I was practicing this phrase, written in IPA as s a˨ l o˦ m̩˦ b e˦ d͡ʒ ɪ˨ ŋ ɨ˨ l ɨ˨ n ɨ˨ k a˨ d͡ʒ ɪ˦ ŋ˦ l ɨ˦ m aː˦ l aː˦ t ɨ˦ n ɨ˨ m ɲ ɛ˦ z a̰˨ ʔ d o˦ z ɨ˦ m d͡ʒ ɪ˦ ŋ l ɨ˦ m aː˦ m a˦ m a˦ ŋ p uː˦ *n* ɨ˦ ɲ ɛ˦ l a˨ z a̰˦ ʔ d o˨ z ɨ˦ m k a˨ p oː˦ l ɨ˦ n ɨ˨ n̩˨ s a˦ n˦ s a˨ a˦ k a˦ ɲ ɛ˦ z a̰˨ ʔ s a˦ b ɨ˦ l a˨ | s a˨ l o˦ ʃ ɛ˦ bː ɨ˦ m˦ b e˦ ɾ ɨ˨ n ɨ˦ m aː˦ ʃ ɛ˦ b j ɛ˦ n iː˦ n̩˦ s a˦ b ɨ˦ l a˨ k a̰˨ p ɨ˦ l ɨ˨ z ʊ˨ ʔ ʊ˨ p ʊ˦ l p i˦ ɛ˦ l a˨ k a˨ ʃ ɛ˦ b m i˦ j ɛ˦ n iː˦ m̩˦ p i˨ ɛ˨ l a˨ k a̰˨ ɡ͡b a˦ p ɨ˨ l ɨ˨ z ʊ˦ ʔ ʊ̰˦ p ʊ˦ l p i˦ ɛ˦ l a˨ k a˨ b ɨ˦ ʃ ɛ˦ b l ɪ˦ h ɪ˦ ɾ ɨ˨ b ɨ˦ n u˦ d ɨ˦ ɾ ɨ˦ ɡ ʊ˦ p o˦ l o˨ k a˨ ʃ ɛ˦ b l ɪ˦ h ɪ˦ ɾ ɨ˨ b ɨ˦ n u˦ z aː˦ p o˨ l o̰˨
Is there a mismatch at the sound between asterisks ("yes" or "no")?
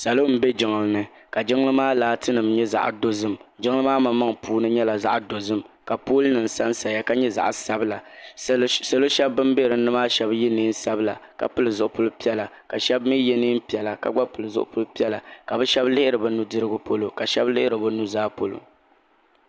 no